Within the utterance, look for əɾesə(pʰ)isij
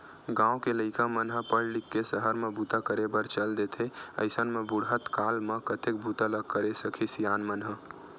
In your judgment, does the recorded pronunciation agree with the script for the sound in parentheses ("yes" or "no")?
no